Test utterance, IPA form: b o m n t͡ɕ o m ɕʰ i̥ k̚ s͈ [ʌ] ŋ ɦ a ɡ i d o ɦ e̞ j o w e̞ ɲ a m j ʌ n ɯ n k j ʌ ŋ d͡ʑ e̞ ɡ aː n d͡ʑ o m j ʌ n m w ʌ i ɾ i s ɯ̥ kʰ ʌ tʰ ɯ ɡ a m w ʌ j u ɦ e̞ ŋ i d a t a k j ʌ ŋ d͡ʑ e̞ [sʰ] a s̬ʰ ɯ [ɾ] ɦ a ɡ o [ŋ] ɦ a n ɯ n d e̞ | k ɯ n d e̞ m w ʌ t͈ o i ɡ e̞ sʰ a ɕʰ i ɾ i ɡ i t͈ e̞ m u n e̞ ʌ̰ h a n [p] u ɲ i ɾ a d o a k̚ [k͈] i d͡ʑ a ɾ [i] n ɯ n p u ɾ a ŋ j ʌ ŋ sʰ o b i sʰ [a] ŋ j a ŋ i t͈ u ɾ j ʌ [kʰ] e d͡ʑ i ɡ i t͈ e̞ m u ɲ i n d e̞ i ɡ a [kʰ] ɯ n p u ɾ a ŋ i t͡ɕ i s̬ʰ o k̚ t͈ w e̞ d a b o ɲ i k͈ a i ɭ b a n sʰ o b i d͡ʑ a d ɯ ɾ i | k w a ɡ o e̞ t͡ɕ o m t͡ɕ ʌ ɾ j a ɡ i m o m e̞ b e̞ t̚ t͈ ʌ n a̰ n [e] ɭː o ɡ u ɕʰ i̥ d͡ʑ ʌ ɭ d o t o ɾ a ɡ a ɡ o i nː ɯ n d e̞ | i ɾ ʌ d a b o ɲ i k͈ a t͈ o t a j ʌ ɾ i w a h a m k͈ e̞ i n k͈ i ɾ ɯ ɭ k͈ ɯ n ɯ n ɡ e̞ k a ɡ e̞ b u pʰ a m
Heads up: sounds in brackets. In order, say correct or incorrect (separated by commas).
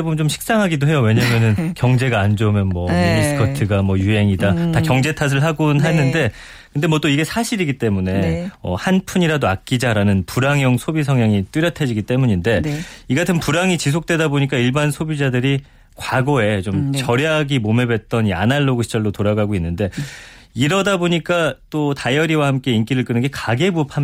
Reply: incorrect, incorrect, incorrect, incorrect, incorrect, correct, incorrect, incorrect, incorrect, incorrect, incorrect